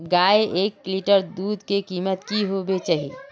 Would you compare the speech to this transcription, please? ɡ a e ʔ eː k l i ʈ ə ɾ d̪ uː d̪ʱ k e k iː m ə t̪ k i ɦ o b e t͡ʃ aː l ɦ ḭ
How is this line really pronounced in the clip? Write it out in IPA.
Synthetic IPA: ɡ a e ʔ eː k l i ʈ ə ɾ d̪ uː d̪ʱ k e k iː m ə t̪ k i ɦ o b e t͡ʃ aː ɦ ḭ